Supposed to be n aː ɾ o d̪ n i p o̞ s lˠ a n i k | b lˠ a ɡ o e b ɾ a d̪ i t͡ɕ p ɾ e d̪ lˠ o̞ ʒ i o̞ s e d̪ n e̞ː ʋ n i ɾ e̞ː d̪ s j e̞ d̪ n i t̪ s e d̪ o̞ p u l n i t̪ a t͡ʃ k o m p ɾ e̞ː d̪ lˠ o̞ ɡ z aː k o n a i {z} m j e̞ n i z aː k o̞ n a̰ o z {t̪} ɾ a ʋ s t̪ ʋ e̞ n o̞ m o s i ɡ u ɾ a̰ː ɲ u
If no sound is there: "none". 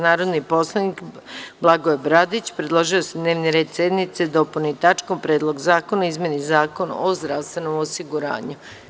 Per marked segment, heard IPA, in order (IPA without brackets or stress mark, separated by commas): z, d̪